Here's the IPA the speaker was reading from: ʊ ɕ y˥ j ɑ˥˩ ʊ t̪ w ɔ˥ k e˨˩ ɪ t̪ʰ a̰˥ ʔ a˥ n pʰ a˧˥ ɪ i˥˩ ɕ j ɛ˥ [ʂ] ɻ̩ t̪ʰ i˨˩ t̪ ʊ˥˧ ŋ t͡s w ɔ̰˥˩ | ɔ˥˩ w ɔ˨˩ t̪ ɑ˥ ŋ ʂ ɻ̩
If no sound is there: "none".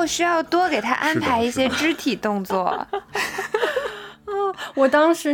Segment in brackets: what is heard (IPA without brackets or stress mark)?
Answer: ʈ͡ʂ